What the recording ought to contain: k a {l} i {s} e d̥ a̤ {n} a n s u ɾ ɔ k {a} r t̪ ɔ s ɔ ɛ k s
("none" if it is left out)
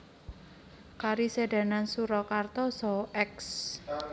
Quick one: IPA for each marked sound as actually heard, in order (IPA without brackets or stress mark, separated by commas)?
ɾ, s, n, a